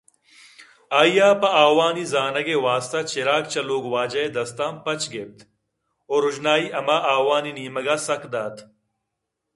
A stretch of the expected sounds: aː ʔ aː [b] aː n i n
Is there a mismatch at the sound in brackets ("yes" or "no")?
yes